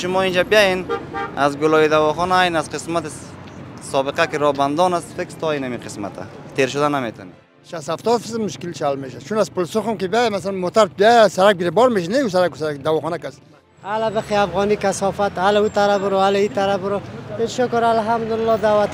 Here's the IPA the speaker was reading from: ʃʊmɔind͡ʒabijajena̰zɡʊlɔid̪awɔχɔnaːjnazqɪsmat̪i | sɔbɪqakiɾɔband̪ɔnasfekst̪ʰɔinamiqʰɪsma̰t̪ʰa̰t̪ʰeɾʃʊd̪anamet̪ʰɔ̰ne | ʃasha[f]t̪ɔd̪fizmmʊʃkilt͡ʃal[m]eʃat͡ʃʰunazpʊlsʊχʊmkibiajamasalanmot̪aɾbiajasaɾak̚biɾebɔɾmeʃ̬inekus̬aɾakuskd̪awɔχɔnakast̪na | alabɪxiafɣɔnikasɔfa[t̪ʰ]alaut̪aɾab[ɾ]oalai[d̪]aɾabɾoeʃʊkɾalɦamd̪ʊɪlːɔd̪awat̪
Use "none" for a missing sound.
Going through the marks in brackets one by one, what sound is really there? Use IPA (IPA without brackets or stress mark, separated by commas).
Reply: f, m, t̪, ɾ, t̪